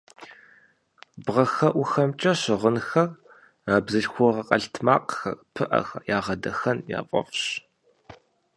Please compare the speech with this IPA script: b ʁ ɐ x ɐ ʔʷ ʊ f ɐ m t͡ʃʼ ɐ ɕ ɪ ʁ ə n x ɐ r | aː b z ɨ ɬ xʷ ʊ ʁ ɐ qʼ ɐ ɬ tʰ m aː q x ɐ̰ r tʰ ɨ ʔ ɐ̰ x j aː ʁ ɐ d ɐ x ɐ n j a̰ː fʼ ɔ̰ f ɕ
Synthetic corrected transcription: b ʁ ɐ x ɐ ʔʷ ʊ x ɐ m t͡ʃʼ ɐ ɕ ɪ ʁ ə n x ɐ r | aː b z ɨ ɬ xʷ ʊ ʁ ɐ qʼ ɐ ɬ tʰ m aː q x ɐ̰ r pʰ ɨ ʔ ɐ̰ x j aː ʁ ɐ d ɐ x ɐ n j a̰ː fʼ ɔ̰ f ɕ